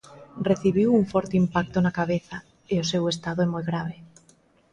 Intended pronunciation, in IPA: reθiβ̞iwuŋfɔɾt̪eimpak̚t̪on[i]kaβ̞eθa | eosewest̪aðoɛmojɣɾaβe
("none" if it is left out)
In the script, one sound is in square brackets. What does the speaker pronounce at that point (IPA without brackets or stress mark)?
a